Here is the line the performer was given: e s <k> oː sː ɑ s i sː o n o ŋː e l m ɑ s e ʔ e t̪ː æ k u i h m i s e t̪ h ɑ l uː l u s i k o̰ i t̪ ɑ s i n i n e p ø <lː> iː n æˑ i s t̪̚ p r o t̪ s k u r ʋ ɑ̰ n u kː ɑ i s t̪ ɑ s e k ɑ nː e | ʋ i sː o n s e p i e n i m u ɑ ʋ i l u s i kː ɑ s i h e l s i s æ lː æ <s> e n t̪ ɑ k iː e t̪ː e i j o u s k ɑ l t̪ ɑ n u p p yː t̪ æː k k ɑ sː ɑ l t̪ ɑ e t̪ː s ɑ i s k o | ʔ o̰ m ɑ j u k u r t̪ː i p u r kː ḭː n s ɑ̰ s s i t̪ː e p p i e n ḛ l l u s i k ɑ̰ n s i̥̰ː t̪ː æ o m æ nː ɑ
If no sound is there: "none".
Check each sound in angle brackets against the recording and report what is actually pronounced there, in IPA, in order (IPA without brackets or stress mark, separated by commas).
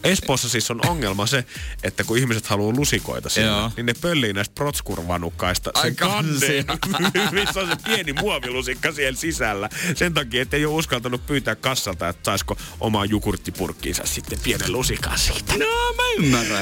p, lː, s